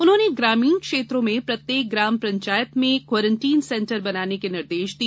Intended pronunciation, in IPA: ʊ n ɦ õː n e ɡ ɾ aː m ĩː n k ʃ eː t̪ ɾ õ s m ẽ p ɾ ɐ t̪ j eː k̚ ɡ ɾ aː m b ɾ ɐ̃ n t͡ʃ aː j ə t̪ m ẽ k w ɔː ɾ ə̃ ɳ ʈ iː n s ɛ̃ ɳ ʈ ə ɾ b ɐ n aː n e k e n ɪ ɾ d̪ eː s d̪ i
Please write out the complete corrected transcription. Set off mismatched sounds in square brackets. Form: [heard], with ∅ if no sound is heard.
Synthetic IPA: ʊ n ɦ õː n e ɡ ɾ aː m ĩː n k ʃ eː t̪ ɾ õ [∅] m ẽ p ɾ ɐ t̪ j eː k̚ ɡ ɾ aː m [p] ɾ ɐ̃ [ɲ] t͡ʃ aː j ə t̪ m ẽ k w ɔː ɾ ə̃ ɳ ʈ iː n s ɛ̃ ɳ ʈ ə ɾ b ɐ n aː n e k e n ɪ ɾ d̪ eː [ʃ] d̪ i